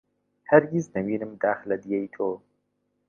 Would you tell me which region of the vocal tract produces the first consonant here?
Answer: throat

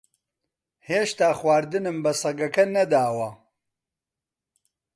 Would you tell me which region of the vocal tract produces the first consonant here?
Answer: throat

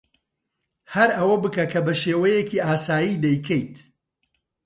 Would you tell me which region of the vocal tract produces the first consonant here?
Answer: throat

